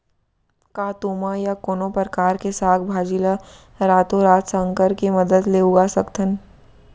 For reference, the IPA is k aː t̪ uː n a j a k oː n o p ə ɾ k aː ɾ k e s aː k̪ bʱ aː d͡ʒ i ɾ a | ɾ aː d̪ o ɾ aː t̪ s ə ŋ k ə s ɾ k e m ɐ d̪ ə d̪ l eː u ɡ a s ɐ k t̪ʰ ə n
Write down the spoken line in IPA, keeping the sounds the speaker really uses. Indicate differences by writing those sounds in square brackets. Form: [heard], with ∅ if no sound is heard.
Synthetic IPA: k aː t̪ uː [m] a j a k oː n o p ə ɾ k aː ɾ k e s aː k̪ bʱ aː d͡ʒ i [l] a | ɾ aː [t̪] o ɾ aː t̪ s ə ŋ k ə [∅] ɾ k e m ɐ d̪ ə d̪ l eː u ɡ a s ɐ k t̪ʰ ə n

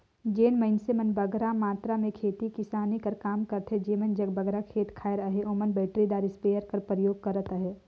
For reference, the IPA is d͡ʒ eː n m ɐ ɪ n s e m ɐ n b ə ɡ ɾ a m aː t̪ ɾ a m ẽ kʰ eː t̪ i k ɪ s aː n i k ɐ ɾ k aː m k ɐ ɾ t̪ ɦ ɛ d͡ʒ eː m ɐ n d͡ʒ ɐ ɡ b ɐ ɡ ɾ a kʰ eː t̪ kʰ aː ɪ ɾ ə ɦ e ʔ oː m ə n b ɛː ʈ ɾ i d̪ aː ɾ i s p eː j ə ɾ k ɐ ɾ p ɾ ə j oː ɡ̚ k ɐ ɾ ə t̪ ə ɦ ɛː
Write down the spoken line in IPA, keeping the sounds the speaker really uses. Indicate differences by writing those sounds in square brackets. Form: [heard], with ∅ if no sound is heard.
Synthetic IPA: d͡ʒ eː n m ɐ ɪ n s e m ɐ n b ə ɡ ɾ a m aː t̪ ɾ a m ẽ kʰ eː t̪ i k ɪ s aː n i k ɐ ɾ k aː m k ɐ ɾ t̪ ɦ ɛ d͡ʒ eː m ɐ n d͡ʒ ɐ ɡ b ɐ ɡ ɾ a kʰ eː t̪ kʰ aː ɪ ɾ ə ɦ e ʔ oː m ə n b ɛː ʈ ɾ i d̪ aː ɾ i s p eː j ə ɾ k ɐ ɾ p ɾ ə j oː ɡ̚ k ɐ ɾ ə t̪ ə ɦ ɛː

